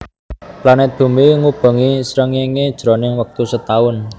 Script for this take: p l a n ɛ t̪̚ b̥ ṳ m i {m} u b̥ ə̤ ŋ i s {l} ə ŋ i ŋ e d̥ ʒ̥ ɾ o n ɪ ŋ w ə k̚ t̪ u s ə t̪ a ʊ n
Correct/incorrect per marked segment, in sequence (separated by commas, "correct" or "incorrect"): incorrect, incorrect